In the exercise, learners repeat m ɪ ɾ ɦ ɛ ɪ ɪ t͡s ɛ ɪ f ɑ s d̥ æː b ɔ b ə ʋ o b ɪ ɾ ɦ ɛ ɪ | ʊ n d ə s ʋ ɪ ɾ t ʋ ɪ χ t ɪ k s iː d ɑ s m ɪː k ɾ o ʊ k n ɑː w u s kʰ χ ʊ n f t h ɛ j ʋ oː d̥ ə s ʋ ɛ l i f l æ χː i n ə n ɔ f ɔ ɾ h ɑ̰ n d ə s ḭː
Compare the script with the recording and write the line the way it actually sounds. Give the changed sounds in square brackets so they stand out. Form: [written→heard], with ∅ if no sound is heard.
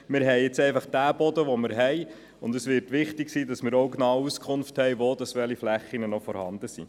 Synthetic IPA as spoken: m ɪ ɾ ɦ ɛ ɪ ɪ t͡s ɛ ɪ f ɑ [s→χ] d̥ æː b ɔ [b→d] ə ʋ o [b→m] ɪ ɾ ɦ ɛ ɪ | ʊ n d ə s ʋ ɪ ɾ t ʋ ɪ χ t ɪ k s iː d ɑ s m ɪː [k→∅] ɾ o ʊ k n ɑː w u s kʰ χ ʊ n f t h ɛ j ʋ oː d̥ [ə→ɑ] s ʋ ɛ l i f l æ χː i n ə n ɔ f ɔ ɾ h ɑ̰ n d ə s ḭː

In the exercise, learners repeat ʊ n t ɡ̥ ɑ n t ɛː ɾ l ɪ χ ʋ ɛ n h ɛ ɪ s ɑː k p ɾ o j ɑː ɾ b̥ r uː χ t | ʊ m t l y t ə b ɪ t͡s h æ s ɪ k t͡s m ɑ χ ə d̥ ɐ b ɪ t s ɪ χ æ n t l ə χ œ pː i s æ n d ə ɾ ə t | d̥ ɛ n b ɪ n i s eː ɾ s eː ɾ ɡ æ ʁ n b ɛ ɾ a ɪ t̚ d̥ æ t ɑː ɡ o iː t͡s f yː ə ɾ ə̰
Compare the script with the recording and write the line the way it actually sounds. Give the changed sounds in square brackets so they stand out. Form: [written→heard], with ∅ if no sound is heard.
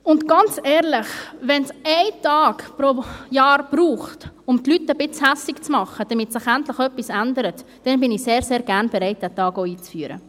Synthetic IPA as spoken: ʊ n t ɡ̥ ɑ n [t→t͡s] ɛː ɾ l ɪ χ ʋ ɛ n [h→s] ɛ ɪ [s→t] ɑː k p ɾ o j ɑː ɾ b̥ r uː χ t | ʊ m t l y t ə b ɪ t͡s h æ s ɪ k t͡s m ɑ χ ə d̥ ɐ [b→m] ɪ t s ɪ χ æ n t l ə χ œ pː i s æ n d ə ɾ ə t | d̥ ɛ n b ɪ n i s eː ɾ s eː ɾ ɡ æ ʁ n b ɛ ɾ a ɪ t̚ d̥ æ t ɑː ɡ o iː t͡s f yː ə ɾ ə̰

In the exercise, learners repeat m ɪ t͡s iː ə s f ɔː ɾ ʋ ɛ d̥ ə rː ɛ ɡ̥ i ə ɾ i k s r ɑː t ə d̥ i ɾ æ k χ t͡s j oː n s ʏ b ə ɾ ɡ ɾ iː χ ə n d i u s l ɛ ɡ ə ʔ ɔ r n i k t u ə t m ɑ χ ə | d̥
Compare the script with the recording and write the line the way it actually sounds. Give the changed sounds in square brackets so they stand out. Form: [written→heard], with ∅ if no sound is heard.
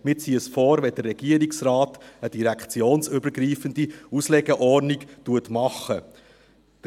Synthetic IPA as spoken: m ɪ t͡s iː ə s f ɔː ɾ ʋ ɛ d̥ ə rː ɛ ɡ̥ i ə ɾ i k s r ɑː t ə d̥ i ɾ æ k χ t͡s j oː n s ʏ b ə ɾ ɡ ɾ iː [χ→f] ə n d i u s l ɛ ɡ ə ʔ ɔ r n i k t u ə t m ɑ χ ə | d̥

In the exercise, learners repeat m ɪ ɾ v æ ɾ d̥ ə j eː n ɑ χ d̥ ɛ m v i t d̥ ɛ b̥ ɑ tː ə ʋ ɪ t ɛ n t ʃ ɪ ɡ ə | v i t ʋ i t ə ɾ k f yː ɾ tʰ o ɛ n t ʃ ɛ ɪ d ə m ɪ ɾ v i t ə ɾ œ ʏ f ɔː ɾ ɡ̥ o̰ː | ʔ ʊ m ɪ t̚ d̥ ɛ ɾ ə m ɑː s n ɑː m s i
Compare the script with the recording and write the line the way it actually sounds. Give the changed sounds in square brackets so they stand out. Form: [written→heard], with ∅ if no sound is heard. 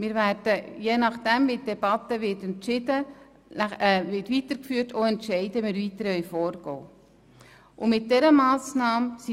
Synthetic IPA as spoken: m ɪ ɾ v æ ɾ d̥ ə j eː n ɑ χ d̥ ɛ m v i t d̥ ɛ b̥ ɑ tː ə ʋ ɪ t ɛ n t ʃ ɪ [ɡ→d] ə | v [i→ɪ] t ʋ i t ə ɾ k f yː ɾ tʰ o ɛ n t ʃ ɛ ɪ d ə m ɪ ɾ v i t ə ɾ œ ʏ f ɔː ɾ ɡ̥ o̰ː | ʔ ʊ m ɪ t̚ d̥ ɛ ɾ ə m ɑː s n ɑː m s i

